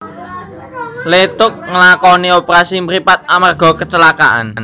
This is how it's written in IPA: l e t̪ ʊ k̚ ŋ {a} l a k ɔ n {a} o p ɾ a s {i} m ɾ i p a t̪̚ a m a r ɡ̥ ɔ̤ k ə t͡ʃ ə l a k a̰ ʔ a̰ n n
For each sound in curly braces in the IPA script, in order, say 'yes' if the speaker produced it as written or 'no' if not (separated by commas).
no, no, yes